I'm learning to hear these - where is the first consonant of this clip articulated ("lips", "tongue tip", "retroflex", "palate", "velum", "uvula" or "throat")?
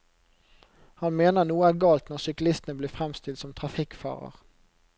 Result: throat